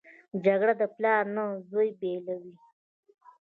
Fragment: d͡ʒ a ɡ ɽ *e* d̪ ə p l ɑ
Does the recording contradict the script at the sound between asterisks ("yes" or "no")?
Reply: yes